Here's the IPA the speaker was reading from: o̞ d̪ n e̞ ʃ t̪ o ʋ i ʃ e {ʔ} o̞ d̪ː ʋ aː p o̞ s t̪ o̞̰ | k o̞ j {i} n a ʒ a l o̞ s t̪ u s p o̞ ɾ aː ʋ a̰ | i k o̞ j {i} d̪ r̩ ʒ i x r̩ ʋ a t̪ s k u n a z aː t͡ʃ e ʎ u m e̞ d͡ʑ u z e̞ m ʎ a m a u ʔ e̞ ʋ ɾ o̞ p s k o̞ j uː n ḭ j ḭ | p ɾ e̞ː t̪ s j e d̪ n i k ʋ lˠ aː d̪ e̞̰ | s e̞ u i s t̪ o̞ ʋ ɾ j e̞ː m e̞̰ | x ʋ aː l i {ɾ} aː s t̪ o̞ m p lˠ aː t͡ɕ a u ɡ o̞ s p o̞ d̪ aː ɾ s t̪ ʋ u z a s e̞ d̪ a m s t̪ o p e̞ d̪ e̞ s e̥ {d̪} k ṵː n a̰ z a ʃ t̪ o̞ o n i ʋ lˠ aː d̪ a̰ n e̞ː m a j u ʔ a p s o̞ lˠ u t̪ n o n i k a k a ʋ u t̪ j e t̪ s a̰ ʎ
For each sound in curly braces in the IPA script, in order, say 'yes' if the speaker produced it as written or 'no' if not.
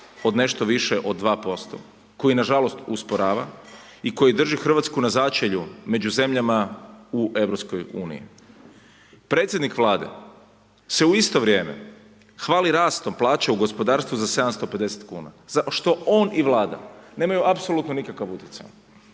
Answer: yes, yes, yes, yes, no

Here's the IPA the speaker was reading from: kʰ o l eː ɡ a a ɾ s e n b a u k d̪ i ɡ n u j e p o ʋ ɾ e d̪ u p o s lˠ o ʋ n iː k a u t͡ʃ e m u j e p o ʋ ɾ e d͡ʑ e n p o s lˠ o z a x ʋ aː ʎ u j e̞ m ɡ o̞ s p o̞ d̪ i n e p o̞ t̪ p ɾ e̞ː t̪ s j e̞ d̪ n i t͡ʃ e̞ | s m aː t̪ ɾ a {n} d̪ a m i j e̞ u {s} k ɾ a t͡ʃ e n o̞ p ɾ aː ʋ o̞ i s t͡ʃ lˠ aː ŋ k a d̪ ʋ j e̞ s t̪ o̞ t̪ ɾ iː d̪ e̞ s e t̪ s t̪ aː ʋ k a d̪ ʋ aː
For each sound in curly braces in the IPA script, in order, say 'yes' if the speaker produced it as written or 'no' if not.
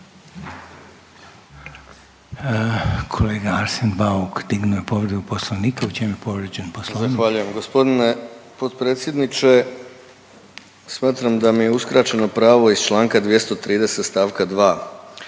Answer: no, yes

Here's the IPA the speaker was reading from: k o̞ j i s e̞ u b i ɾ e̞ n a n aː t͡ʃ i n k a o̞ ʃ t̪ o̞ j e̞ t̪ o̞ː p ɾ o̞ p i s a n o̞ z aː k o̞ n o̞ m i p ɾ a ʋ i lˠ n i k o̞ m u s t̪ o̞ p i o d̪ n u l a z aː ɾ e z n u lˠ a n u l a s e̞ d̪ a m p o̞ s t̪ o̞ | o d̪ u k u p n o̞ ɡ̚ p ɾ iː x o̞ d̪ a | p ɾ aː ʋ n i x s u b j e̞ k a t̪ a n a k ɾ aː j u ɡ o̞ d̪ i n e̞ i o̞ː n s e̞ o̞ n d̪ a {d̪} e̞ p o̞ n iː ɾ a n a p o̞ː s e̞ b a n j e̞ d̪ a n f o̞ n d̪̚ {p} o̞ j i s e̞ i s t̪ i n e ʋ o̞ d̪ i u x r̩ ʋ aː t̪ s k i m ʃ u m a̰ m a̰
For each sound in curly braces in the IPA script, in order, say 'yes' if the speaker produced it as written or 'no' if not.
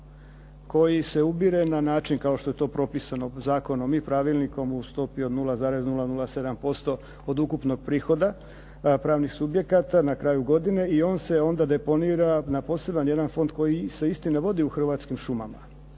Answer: yes, no

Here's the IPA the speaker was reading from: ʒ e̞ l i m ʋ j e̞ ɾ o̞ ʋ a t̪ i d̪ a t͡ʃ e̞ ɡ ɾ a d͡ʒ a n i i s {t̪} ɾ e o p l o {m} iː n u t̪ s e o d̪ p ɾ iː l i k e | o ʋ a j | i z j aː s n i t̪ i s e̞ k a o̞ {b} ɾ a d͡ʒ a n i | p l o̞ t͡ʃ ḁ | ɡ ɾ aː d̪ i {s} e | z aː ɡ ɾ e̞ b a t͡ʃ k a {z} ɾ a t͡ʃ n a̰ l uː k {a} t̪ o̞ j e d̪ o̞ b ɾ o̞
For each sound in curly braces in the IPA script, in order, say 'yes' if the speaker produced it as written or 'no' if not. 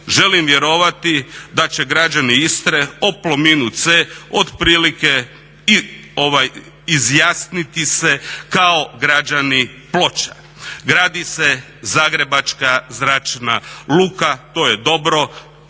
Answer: yes, yes, no, yes, yes, yes

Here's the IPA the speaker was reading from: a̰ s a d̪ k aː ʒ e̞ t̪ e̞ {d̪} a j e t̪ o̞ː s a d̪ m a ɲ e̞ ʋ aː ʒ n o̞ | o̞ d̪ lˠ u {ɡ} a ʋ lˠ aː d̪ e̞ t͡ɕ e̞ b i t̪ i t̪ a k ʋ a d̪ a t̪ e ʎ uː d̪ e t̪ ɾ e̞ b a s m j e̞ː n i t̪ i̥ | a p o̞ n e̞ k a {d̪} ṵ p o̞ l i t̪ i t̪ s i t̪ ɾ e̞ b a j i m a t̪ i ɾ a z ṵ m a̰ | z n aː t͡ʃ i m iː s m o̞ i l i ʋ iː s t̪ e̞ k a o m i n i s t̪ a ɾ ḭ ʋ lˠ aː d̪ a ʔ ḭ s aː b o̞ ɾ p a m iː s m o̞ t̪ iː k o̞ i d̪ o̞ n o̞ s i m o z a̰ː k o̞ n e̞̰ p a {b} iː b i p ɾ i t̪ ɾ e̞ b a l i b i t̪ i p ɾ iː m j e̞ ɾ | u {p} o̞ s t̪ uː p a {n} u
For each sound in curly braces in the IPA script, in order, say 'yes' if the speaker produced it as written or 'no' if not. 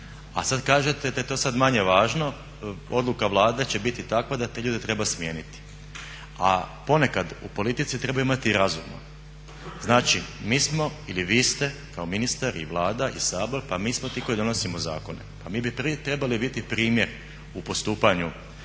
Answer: yes, no, yes, no, yes, no

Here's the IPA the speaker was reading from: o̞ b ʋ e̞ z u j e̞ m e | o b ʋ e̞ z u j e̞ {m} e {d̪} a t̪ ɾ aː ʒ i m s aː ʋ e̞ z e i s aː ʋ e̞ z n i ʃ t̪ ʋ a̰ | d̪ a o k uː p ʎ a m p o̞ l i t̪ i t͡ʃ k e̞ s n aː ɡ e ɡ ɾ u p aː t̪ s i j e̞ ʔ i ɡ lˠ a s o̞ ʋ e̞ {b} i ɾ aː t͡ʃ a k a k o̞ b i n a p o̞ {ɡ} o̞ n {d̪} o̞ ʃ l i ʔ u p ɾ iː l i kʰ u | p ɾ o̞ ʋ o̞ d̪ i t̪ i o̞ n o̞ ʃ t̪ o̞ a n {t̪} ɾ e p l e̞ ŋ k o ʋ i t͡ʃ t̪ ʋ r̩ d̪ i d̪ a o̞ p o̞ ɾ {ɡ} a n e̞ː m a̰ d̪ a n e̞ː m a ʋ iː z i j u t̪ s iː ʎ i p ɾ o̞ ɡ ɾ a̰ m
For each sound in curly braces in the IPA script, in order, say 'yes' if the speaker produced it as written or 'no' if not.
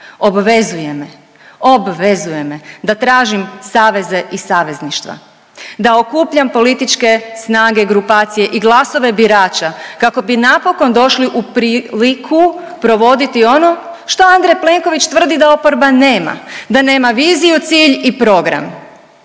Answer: yes, yes, yes, no, yes, no, no

